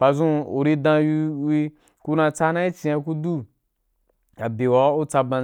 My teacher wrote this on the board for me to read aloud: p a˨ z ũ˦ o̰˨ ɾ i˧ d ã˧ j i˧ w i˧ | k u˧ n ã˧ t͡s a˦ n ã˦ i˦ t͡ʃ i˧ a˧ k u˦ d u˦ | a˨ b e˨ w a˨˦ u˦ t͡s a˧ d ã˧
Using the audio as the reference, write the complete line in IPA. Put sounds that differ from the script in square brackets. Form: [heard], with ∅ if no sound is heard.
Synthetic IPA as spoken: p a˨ z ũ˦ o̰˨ ɾ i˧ d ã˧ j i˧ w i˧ | k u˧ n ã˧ t͡s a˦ n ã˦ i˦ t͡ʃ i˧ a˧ k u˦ d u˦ | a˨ b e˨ w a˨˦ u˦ t͡s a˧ [b] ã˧

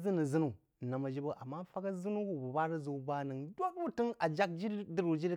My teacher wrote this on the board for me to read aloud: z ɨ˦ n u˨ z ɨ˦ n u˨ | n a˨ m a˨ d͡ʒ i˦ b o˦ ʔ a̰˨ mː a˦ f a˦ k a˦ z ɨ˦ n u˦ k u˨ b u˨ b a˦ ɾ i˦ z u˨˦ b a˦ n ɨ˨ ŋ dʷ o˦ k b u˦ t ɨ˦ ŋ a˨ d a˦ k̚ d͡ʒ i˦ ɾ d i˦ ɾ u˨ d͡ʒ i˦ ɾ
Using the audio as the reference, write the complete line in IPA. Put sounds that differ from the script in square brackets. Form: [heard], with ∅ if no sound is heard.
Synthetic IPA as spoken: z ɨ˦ n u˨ z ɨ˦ n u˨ | n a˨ m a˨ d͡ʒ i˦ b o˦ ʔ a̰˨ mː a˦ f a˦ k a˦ z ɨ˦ n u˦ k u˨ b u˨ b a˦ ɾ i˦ z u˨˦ b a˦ n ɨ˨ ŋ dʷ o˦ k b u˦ t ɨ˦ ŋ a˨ [d͡ʒ] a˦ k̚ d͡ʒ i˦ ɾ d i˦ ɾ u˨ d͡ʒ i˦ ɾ

